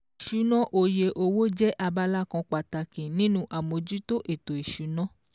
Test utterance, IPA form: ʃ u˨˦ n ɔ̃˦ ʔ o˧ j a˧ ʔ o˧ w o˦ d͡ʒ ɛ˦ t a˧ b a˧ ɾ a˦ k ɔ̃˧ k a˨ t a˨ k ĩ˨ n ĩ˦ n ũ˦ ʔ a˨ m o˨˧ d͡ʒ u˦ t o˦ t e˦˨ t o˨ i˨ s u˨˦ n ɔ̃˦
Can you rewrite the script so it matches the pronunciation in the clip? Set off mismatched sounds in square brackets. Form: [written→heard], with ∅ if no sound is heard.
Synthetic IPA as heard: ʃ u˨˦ n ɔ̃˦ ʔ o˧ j [a˧→e˧] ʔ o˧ w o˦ d͡ʒ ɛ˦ [t→ʔ] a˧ b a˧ [ɾ→l] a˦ k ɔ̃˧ [k→k͡p] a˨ t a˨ k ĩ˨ n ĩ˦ n ũ˦ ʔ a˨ m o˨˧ d͡ʒ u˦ t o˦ [t→ʔ] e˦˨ t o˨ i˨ [s→ʃ] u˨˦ n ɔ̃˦